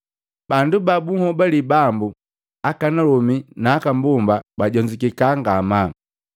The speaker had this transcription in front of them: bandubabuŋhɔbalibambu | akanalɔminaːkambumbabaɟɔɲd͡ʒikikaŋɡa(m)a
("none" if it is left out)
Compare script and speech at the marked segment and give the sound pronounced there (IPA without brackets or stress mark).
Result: m